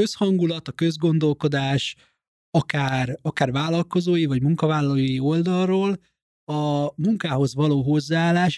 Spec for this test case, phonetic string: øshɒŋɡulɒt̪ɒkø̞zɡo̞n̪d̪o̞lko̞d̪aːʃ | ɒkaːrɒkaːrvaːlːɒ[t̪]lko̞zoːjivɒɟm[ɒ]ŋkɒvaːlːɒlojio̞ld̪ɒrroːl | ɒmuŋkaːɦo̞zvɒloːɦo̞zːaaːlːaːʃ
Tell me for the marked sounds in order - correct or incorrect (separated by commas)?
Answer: incorrect, incorrect